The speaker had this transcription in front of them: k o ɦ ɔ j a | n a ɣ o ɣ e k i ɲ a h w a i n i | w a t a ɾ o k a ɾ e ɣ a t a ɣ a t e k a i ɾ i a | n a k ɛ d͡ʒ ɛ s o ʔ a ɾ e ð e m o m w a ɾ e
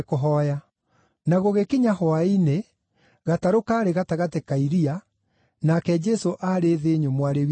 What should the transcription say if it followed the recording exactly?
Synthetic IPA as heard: k o ɦ ɔ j a | n a ɣ o ɣ e k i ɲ a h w a i n e | ɣ a t a ɾ o k a ɾ e ɣ a t a ɣ a t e k a i ɾ i a | n a k ɛ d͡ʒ ɛ s o ʔ a ɾ e ð e ɲ o m w a ɾ e